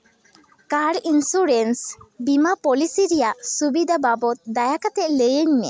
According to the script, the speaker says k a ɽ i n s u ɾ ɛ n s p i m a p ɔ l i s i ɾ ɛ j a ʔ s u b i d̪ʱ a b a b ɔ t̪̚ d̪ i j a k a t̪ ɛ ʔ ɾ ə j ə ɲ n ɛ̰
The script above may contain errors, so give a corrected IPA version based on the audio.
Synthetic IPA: k a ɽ i n s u ɾ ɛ n s b i m a p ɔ l i s i ɾ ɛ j a ʔ s u b i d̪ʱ a b a b ɔ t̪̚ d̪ a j a k a t̪ ɛ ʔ l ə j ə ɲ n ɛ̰